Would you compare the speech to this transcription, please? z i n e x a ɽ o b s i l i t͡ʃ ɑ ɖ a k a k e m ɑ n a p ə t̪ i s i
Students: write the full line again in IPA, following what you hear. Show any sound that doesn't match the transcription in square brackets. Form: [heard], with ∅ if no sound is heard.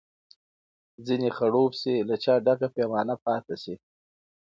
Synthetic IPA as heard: z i n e x a ɽ o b s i l [a] t͡ʃ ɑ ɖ a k a [p] e m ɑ n a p [ɑ] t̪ [a] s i